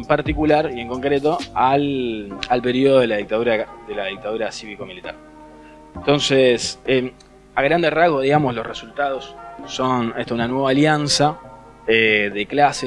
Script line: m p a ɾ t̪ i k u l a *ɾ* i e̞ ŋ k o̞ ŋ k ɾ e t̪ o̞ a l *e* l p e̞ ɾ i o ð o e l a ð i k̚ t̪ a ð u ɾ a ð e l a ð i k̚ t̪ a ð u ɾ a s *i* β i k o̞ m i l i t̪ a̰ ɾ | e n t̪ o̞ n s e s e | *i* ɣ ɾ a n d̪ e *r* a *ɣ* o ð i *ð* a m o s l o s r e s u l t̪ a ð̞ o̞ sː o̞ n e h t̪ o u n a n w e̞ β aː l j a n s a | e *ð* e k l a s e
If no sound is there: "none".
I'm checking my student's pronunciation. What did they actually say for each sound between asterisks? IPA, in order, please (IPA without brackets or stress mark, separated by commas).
ɾ, a, i, a, r, ɣ, ɣ, ð